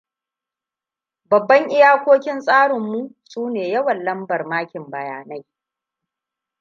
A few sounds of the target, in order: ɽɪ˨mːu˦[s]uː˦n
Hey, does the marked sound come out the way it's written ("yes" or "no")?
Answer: yes